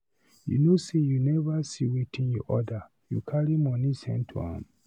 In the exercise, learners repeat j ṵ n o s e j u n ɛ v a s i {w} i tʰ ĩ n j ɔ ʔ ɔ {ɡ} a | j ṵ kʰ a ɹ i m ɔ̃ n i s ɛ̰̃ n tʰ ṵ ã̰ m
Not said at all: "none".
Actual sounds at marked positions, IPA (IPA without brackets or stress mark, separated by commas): w, d